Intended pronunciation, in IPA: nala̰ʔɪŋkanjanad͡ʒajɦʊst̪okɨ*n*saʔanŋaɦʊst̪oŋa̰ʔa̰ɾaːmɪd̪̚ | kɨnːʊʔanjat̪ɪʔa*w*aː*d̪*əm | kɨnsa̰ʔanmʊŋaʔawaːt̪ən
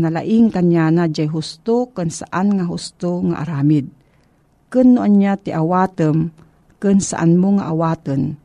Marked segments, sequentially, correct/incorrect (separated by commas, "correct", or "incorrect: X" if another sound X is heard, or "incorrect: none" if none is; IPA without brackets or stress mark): correct, correct, incorrect: t̪